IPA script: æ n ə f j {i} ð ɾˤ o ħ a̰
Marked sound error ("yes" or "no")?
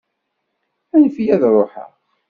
yes